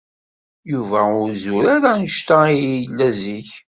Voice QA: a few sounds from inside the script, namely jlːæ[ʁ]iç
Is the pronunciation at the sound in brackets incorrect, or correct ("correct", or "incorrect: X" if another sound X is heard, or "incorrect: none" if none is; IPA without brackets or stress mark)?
incorrect: z